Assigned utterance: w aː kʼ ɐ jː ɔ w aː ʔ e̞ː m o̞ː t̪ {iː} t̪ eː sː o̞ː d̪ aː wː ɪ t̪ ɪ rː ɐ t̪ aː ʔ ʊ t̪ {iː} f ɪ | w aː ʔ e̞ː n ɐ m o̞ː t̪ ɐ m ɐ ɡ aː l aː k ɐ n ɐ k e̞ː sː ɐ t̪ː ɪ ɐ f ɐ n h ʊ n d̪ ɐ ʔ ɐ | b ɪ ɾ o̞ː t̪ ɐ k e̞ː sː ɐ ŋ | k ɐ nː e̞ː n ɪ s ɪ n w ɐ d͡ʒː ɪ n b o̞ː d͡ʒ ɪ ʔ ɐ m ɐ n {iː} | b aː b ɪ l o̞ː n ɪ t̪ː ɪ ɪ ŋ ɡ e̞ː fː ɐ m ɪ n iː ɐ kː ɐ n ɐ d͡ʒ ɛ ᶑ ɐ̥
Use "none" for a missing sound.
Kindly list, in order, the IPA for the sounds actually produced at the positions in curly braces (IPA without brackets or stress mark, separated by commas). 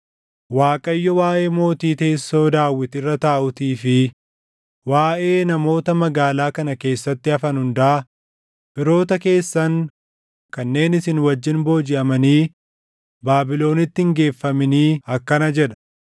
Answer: iː, iː, iː